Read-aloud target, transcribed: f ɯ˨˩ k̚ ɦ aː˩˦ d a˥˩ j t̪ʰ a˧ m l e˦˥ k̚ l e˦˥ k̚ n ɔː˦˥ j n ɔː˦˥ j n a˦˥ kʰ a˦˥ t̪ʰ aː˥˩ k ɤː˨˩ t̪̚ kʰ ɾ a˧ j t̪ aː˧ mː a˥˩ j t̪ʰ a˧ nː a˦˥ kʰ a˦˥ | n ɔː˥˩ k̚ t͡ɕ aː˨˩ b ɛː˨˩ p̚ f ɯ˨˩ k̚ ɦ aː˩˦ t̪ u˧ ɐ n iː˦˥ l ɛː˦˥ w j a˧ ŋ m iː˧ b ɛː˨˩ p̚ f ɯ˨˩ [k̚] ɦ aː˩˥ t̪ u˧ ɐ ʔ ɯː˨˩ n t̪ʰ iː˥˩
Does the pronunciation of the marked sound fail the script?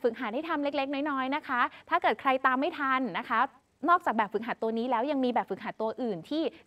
no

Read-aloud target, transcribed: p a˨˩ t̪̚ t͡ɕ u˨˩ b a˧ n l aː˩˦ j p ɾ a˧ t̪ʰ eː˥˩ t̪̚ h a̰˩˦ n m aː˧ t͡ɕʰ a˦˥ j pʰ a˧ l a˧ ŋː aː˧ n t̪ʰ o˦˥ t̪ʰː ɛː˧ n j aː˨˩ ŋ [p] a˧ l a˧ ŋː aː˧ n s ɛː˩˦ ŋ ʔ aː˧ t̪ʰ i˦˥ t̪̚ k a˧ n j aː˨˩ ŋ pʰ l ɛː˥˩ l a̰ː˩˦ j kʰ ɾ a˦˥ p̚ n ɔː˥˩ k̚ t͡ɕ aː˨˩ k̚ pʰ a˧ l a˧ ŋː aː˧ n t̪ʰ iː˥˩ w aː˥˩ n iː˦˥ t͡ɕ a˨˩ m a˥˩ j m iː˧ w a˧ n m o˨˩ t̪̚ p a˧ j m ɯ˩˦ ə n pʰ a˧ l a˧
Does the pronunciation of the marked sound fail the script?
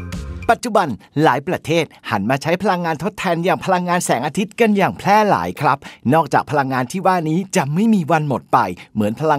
yes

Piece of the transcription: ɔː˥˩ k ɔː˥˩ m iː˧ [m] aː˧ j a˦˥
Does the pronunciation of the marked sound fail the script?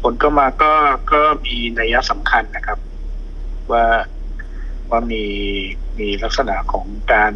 yes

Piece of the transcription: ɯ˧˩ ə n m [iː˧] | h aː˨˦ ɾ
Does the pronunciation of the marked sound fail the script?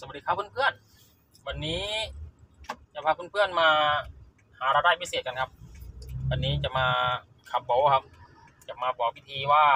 yes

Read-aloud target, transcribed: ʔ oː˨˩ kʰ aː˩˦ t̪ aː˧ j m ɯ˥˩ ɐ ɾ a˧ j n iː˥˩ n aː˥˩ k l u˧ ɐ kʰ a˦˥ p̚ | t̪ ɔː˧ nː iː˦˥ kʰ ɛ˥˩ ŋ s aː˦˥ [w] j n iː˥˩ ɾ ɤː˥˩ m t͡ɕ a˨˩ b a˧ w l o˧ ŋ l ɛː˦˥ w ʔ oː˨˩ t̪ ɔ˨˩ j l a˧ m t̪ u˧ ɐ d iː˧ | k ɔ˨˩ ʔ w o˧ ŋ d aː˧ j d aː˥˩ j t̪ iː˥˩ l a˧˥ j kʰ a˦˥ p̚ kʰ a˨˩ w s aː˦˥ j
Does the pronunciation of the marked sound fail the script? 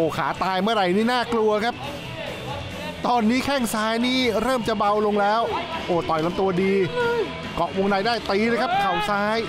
yes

